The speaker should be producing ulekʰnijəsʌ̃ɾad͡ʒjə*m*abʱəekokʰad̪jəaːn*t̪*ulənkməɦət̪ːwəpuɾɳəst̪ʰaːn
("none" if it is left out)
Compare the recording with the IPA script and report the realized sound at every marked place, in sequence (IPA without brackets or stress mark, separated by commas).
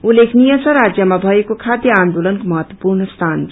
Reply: m, d̪